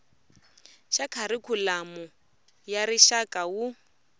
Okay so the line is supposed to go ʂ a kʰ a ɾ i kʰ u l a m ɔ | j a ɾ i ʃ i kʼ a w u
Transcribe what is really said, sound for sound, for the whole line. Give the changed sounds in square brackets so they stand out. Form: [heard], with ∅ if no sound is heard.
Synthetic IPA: [ʃ] a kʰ a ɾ i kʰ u l a m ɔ | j a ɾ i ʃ [a] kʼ a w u